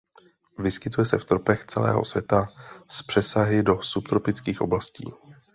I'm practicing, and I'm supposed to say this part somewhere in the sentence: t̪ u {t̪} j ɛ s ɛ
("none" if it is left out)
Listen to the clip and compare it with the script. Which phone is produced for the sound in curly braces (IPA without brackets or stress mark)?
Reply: none